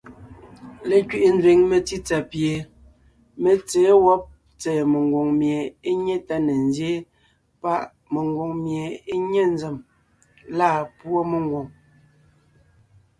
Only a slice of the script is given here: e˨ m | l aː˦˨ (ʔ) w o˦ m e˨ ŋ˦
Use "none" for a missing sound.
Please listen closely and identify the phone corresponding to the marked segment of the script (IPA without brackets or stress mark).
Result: p